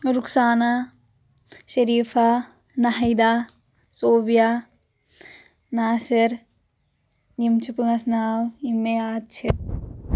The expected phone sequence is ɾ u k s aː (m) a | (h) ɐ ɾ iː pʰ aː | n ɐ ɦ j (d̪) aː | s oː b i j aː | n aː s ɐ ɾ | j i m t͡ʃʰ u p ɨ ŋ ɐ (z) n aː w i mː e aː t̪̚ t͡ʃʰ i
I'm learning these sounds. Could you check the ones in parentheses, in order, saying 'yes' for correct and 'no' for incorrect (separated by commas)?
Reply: no, no, yes, no